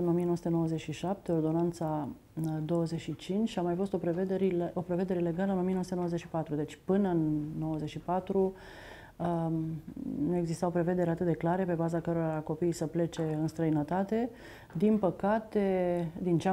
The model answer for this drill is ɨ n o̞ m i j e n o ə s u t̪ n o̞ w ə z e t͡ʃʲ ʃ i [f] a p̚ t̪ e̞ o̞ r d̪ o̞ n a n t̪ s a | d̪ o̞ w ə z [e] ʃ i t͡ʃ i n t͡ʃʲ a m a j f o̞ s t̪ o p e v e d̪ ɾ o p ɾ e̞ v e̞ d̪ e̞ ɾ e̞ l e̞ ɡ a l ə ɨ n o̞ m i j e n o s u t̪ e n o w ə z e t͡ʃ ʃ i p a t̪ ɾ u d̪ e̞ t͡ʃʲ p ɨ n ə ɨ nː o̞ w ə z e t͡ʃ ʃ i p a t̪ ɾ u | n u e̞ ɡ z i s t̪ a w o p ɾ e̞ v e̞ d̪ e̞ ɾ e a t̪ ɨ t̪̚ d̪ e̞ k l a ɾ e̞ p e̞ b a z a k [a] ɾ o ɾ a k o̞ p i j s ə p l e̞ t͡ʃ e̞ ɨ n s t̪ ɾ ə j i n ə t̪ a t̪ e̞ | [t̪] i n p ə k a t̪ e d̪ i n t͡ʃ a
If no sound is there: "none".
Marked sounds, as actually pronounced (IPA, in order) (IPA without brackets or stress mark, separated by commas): ʃ, e, ə, d̪